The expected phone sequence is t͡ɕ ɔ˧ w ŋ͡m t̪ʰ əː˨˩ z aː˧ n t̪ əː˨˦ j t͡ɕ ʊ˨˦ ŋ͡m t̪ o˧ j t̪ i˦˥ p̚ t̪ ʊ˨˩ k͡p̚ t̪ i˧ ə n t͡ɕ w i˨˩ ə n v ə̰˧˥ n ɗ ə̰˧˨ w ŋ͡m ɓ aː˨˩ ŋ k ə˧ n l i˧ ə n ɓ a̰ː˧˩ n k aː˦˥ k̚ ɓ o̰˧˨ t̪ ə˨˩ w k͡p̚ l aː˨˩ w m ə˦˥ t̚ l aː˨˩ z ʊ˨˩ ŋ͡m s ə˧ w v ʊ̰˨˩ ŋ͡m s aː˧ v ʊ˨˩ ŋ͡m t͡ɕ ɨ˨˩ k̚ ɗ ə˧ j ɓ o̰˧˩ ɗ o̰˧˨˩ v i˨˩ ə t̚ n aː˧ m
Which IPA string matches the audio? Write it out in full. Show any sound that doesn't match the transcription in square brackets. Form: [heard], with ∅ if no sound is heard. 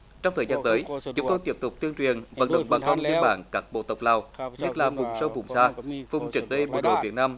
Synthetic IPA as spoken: t͡ɕ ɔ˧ w ŋ͡m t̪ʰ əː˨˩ z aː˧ n t̪ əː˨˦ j t͡ɕ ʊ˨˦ ŋ͡m t̪ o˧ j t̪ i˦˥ p̚ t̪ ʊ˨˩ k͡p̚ t̪ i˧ ə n t͡ɕ w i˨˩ ə n v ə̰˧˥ n ɗ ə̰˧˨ w ŋ͡m ɓ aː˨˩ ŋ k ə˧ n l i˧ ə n ɓ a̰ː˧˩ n k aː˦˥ k̚ ɓ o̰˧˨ t̪ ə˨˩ w k͡p̚ l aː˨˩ w [ɲ] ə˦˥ t̚ l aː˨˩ [v] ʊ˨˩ ŋ͡m s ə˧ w v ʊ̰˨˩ ŋ͡m s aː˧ v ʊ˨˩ ŋ͡m t͡ɕ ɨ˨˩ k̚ ɗ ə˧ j ɓ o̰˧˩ ɗ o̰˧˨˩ v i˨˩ ə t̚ n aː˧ m